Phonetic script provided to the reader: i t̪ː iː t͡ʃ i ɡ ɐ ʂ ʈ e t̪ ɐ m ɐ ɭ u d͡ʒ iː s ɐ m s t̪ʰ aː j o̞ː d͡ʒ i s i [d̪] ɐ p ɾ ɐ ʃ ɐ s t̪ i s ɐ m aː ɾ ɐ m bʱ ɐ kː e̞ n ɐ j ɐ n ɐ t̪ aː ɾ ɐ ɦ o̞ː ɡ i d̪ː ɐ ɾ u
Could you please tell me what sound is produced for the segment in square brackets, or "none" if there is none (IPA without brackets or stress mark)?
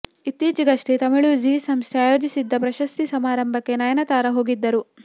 d̪ː